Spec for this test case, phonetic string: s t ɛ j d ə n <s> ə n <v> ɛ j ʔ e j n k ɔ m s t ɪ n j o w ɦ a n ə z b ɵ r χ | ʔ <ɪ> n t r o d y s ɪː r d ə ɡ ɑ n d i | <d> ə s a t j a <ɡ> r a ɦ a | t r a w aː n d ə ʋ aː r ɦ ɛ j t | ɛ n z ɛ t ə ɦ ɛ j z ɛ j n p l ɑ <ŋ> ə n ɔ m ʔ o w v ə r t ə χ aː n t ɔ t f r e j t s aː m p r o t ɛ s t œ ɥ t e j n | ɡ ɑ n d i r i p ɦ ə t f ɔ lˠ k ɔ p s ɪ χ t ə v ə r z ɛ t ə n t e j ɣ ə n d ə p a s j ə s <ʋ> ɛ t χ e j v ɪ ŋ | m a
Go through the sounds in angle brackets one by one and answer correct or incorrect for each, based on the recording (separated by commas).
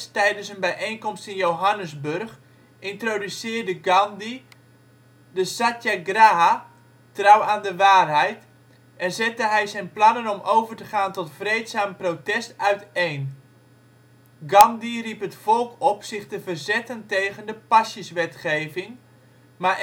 correct, incorrect, correct, correct, correct, incorrect, correct